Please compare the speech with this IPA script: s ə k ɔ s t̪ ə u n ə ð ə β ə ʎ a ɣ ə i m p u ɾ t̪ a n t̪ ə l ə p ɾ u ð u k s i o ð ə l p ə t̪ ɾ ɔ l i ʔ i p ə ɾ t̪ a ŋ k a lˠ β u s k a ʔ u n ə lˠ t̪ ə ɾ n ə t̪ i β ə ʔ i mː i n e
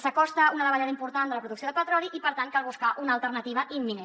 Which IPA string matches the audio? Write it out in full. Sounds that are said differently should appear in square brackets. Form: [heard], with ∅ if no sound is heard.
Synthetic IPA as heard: s ə k ɔ s t̪ ə u n ə ð ə β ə ʎ a [ð] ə i m p u ɾ t̪ a n [d̪] ə l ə p ɾ u ð u k s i o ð ə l p ə t̪ ɾ ɔ l i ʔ i p ə ɾ t̪ a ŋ k a lˠ β u s k a ʔ u n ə lˠ t̪ ə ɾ n ə t̪ i β ə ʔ i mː i n e